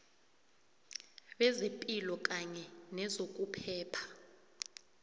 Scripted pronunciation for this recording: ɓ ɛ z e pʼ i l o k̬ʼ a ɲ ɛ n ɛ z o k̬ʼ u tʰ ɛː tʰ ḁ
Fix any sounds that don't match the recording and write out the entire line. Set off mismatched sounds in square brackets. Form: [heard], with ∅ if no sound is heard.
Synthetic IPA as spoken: ɓ ɛ z e pʼ i l [ɔ] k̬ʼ a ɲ ɛ n ɛ z o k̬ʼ u [pʰ] ɛː [pʰ] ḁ